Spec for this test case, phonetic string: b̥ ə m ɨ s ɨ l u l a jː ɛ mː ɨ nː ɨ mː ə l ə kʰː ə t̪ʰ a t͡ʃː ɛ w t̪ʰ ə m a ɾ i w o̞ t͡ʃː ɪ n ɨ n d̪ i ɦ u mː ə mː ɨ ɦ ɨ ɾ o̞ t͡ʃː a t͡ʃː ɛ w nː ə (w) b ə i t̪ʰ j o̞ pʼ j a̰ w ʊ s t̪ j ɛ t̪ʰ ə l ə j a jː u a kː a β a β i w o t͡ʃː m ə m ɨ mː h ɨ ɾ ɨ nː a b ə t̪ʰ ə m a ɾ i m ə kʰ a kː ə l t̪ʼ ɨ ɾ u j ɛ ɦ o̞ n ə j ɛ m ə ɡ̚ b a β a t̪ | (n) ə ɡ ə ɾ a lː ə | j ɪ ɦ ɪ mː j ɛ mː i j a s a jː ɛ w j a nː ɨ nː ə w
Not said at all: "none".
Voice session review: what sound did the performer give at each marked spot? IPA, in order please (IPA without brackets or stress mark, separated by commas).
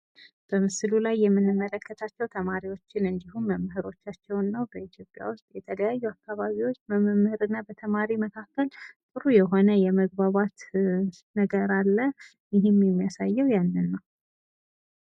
w, n